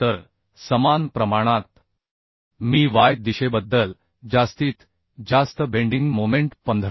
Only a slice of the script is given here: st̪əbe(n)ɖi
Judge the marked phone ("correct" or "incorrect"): incorrect